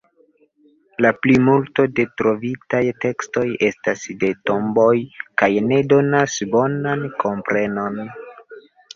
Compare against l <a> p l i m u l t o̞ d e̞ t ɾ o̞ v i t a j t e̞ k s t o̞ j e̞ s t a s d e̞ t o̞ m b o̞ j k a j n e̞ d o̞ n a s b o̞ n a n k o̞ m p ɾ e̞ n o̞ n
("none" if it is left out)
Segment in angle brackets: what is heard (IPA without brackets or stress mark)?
a